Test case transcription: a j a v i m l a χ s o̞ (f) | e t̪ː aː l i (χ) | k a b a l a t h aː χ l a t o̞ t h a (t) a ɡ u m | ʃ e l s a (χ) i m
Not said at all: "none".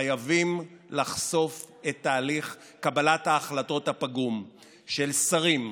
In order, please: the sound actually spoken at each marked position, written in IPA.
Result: f, χ, p, ʁ

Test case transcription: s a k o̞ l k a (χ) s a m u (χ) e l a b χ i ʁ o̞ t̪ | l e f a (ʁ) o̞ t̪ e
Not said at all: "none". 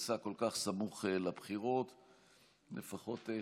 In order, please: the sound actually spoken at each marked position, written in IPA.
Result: χ, χ, χ

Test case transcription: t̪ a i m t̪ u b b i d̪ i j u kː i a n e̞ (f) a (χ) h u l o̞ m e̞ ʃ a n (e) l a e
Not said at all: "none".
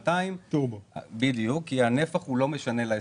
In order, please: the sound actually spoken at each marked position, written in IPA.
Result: f, χ, e

